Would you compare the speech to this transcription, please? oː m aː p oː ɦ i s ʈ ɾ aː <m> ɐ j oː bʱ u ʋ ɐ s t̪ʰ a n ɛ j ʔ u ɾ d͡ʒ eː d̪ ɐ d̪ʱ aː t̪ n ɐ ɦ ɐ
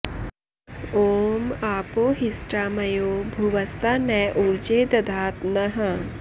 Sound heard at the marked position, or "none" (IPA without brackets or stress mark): m